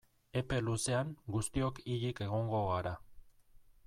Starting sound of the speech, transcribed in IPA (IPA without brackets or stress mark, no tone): e̞